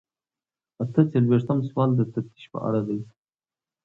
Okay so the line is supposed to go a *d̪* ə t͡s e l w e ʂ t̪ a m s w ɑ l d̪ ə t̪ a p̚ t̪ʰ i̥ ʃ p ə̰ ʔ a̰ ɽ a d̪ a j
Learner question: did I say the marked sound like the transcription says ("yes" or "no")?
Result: no